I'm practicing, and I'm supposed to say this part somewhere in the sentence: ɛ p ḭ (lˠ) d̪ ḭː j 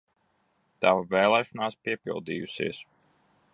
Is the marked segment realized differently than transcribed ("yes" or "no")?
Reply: no